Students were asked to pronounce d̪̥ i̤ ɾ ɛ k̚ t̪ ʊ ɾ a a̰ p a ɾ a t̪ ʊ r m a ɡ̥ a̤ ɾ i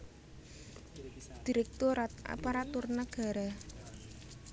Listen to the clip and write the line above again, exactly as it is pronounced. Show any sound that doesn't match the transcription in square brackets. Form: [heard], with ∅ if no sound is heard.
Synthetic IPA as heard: d̪̥ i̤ ɾ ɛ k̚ t̪ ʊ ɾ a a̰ p a ɾ a t̪ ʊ r [n] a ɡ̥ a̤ ɾ [a]